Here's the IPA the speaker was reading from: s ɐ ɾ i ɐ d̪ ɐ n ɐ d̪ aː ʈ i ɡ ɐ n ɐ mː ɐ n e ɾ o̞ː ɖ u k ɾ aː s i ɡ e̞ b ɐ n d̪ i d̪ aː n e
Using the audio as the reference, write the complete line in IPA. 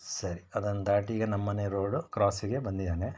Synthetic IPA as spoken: s ɐ ɾ i ɐ d̪ ɐ n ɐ d̪ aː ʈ i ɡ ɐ n ɐ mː ɐ n e ɾ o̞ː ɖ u k ɾ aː s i ɡ e̞ b ɐ n d̪ i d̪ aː n e